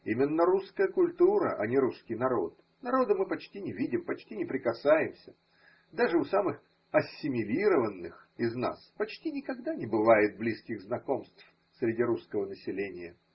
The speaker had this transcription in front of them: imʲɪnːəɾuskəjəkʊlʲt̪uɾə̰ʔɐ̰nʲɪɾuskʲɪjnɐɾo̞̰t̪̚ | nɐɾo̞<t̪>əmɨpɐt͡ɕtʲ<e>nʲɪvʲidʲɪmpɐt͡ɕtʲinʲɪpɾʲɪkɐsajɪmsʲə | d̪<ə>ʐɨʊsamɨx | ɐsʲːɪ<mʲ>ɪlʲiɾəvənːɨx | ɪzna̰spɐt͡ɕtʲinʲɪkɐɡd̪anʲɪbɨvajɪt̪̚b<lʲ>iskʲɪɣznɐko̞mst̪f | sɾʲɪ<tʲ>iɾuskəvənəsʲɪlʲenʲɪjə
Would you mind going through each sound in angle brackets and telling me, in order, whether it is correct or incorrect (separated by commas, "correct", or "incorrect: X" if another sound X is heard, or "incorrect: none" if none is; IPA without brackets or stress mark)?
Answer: incorrect: d̪, incorrect: i, incorrect: a, correct, correct, incorrect: dʲ